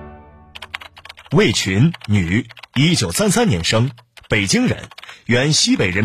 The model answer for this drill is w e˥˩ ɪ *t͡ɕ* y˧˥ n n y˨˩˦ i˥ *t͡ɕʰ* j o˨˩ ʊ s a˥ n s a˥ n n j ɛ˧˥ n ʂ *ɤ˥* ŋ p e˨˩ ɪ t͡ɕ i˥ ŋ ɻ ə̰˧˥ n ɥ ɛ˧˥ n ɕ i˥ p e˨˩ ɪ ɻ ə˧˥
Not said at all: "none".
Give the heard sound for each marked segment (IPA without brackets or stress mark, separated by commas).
t͡ɕʰ, t͡ɕ, ɤ˥